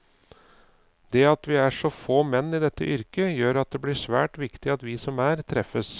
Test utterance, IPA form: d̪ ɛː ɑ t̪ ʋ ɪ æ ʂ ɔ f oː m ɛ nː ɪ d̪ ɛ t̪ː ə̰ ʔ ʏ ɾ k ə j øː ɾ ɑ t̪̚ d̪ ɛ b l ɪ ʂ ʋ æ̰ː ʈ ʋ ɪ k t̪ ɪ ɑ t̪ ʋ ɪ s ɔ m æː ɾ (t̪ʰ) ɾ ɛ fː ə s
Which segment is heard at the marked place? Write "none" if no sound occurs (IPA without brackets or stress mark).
t̪ʰ